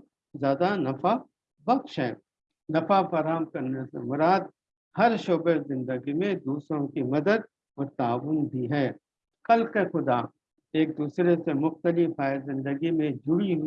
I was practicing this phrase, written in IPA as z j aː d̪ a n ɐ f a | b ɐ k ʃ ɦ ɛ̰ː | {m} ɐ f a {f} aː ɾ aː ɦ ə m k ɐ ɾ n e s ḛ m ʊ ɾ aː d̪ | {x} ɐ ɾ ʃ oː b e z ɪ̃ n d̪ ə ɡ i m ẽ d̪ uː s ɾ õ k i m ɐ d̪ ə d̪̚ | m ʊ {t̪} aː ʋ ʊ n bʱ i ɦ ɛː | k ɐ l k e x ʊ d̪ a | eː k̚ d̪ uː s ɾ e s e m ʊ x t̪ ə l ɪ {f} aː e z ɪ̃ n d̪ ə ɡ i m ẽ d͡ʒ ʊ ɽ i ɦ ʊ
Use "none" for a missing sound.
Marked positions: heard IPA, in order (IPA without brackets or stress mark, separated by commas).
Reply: n, f, h, t̪, f